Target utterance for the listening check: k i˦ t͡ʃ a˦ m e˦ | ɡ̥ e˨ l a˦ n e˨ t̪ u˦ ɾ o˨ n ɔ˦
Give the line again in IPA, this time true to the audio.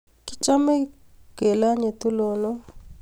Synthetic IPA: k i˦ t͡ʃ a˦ m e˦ | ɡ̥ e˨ l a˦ ɲ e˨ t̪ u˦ l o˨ n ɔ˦